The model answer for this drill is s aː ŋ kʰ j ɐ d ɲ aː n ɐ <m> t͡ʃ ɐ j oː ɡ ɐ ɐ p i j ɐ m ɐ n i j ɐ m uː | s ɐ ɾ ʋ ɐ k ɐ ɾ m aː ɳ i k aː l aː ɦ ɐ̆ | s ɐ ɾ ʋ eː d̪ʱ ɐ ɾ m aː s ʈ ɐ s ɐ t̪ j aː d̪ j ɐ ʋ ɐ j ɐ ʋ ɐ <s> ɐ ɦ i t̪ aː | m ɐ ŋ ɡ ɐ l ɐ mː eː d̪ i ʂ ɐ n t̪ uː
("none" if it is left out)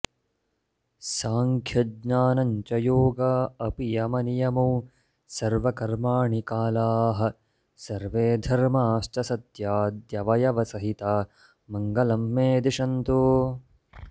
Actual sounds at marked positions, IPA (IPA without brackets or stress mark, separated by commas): ɲ, s